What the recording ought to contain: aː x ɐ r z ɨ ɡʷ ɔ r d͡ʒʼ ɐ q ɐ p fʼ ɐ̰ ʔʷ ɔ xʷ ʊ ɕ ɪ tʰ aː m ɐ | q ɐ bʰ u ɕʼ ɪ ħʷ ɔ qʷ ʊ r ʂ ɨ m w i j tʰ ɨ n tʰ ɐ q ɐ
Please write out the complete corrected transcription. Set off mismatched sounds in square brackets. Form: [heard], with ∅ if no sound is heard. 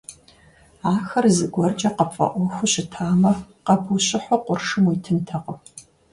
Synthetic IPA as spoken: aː x ɐ r z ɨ ɡʷ ɔ r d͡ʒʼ ɐ q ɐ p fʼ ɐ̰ ʔʷ ɔ xʷ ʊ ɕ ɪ tʰ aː m ɐ | q ɐ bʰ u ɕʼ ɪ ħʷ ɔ qʷ ʊ r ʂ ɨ m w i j tʰ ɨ n tʰ ɐ q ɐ